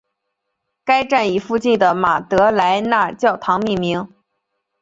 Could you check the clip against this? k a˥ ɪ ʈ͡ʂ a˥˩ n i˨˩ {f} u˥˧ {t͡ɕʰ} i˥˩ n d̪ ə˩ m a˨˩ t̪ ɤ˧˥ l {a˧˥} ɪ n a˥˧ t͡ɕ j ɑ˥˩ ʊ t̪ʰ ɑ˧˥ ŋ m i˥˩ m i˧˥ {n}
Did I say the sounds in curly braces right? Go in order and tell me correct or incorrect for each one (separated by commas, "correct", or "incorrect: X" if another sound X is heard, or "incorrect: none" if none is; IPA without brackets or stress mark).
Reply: correct, incorrect: t͡ɕ, correct, incorrect: ŋ